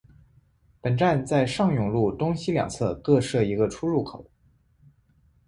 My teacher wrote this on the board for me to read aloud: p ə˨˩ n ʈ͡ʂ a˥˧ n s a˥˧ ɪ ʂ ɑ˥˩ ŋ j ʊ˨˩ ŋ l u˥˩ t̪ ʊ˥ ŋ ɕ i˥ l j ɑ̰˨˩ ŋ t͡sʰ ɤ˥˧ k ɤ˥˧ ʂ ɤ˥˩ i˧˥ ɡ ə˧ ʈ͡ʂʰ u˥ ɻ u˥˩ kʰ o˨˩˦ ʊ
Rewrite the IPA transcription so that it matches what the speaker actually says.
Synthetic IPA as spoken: p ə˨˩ n ʈ͡ʂ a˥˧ n t͡s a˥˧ ɪ ʂ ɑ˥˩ ŋ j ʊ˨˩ ŋ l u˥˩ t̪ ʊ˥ ŋ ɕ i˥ l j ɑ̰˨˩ ŋ t͡sʰ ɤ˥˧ k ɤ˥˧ ʂ ɤ˥˩ i˧˥ ɡ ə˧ ʈ͡ʂʰ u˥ ɻ u˥˩ kʰ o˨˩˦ ʊ

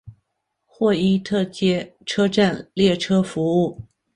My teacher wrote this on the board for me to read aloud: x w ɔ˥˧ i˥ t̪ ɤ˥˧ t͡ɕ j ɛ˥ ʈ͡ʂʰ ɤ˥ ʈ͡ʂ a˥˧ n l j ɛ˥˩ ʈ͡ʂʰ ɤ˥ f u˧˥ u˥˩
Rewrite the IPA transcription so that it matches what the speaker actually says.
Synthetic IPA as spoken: x w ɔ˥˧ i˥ t̪ʰ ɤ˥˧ t͡ɕ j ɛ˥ ʈ͡ʂʰ ɤ˥ ʈ͡ʂ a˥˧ n l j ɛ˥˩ ʈ͡ʂʰ ɤ˥ f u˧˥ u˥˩

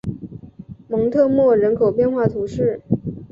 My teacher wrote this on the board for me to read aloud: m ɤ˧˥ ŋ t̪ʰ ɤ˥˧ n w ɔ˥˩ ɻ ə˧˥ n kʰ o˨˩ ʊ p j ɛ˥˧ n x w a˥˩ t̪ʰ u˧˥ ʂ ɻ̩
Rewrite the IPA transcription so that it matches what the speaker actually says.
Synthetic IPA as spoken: m ɤ˧˥ ŋ t̪ʰ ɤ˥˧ m w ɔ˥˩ ɻ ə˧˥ n kʰ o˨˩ ʊ p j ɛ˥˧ n x w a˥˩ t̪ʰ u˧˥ ʂ ɻ̩

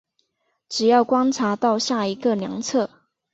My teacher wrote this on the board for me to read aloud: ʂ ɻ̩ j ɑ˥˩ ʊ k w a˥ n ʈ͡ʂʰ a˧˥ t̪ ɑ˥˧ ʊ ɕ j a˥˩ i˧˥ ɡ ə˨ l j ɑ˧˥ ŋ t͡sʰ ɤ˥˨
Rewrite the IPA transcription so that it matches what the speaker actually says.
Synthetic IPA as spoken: ʈ͡ʂ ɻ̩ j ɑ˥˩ ʊ k w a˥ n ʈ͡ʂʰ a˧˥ t̪ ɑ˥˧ ʊ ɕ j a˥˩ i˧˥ ɡ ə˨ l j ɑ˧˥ ŋ t͡sʰ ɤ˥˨

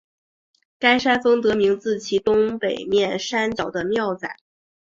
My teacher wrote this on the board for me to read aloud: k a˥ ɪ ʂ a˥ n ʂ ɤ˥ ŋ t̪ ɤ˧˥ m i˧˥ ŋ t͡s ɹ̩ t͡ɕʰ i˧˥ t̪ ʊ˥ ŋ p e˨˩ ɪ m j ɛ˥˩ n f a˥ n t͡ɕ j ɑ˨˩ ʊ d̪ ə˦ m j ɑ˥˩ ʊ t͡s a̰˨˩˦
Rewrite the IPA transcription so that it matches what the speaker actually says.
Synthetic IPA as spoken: k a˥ ɪ ʂ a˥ n f ɤ˥ ŋ t̪ ɤ˧˥ m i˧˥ ŋ t͡s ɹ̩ t͡ɕʰ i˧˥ t̪ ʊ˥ ŋ p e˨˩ ɪ m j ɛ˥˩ n ʂ a˥ n t͡ɕ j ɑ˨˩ ʊ d̪ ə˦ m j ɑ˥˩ ʊ t͡s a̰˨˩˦

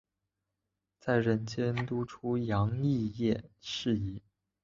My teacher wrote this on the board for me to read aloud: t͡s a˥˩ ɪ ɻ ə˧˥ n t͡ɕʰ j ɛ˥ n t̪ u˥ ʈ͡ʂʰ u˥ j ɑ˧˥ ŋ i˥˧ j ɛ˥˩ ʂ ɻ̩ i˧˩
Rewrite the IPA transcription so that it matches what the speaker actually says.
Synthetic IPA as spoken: t͡s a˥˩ ɪ ɻ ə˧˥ n t͡ɕ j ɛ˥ n t̪ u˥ ʈ͡ʂʰ u˥ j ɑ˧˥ ŋ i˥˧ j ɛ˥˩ ʂ ɻ̩ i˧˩

